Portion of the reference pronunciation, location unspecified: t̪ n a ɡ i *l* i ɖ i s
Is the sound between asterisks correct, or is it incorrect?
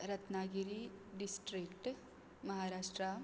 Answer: incorrect